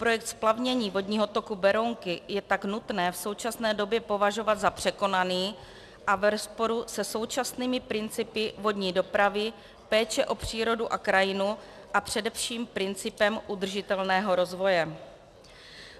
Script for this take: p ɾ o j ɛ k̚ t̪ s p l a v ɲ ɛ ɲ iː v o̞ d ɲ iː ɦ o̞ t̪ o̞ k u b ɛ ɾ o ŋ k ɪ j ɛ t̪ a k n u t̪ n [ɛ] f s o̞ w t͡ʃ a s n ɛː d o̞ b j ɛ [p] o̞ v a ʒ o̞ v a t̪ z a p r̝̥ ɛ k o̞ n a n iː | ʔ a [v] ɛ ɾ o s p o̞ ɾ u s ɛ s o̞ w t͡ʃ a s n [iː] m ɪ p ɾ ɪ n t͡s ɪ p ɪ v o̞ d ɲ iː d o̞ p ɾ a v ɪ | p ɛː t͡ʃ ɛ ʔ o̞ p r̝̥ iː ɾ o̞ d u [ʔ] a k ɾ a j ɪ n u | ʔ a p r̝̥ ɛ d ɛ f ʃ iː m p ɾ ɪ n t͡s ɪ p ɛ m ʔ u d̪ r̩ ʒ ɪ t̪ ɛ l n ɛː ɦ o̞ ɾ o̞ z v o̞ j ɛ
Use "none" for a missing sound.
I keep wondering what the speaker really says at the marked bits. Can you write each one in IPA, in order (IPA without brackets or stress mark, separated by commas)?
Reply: ɛː, p, v, iː, ʔ